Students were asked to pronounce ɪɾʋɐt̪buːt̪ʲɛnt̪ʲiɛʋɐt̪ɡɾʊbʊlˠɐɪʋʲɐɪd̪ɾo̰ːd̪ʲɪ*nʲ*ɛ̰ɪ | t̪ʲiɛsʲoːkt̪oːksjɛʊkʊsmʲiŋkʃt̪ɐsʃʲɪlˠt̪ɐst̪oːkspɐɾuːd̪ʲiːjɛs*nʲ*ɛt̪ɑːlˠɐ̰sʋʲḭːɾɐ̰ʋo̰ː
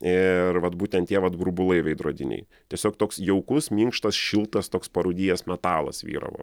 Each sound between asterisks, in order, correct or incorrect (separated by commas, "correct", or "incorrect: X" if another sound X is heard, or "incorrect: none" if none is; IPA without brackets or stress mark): correct, incorrect: mʲ